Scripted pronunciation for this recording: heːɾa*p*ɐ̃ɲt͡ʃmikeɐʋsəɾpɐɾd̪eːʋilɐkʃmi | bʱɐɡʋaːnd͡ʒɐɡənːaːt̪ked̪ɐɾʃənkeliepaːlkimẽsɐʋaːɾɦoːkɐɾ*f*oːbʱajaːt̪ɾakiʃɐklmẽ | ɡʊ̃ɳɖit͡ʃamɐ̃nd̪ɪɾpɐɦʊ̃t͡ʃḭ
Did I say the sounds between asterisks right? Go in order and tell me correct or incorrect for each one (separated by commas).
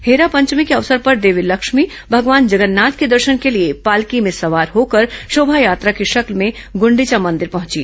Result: correct, incorrect